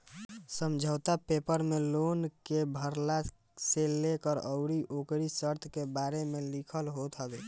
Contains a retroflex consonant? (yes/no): no